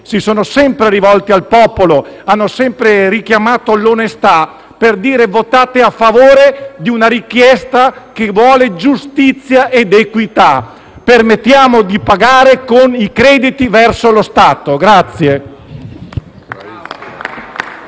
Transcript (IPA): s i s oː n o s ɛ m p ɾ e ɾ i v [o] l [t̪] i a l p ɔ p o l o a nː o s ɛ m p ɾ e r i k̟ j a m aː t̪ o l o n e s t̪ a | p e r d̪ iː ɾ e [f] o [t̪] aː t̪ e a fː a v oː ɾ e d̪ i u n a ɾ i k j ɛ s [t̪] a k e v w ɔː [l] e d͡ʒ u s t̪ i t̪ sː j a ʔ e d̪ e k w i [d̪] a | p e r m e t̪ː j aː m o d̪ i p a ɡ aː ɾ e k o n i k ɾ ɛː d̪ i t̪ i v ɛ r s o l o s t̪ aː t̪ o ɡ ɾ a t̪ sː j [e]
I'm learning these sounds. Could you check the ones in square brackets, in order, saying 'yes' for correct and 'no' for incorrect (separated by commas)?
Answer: no, yes, no, yes, yes, yes, no, yes